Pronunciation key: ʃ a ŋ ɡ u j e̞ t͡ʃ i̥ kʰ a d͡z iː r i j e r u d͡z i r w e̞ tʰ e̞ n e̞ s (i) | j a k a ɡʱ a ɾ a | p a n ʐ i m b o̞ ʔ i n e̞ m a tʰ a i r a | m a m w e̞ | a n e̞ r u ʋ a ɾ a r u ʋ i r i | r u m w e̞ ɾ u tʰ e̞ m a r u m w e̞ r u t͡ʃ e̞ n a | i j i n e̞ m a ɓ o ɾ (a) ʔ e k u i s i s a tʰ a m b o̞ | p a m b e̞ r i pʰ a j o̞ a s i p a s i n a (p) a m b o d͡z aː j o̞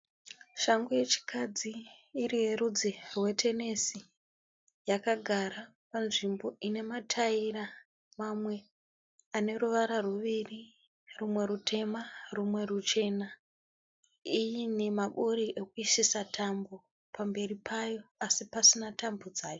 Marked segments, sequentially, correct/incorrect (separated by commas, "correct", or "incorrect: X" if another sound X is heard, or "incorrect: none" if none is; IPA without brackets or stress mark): correct, incorrect: i, incorrect: t